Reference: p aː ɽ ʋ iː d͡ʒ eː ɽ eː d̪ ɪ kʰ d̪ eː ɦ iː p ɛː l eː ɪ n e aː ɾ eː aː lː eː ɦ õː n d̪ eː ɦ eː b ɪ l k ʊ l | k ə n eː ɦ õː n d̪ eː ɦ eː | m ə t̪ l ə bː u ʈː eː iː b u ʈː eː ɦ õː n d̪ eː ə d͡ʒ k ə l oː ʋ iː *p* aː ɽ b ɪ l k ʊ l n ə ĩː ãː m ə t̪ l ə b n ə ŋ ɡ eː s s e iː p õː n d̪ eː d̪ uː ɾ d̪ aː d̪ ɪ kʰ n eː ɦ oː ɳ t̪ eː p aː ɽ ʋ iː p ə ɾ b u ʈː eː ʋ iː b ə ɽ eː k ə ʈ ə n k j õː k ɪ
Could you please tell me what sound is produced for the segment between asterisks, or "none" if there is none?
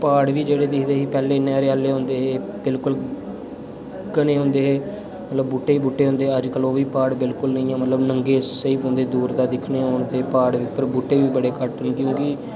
p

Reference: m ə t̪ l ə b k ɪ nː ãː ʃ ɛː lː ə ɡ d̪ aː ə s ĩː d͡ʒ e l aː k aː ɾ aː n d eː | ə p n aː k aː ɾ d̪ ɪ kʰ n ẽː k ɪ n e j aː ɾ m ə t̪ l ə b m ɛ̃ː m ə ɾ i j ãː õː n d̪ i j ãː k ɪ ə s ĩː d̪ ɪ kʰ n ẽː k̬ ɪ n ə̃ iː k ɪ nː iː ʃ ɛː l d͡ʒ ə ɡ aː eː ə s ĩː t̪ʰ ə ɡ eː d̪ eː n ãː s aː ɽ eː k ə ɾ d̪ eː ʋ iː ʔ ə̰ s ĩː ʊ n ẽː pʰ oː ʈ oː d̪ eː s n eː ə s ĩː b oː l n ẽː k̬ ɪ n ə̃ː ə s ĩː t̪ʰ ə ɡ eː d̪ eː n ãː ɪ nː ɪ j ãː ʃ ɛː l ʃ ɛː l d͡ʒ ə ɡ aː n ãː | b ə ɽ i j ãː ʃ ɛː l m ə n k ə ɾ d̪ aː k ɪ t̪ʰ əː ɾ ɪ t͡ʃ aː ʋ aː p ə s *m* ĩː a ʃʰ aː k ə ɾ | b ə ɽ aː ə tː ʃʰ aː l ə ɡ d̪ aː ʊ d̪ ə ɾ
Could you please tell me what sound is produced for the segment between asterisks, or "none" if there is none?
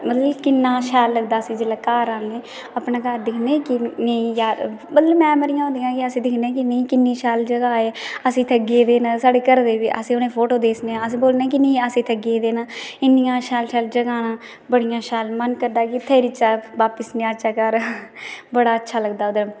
n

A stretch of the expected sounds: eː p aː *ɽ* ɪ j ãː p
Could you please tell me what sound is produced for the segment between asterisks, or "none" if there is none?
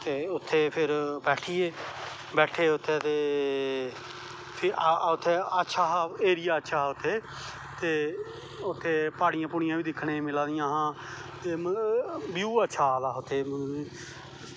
ɽ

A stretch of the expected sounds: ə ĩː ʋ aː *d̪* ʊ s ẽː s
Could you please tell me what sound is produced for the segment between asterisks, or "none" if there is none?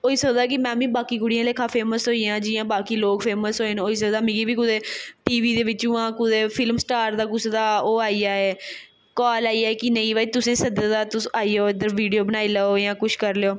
t̪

